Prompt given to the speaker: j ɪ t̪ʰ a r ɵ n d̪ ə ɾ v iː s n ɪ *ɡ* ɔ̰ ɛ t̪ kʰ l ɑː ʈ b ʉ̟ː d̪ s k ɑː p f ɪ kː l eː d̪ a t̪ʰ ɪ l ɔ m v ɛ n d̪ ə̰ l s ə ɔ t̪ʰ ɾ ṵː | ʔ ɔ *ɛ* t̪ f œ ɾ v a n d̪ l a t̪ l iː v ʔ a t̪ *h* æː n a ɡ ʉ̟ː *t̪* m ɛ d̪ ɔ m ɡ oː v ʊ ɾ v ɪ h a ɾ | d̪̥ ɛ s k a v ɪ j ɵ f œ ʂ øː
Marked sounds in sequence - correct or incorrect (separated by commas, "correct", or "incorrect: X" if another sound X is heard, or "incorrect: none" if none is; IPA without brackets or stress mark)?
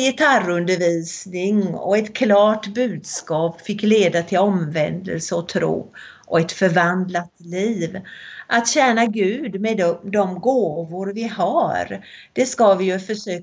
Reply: incorrect: ŋ, correct, incorrect: ɕ, incorrect: d̪